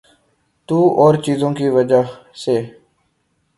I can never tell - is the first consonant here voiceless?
yes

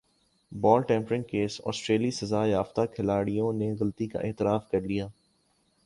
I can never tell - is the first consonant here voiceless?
no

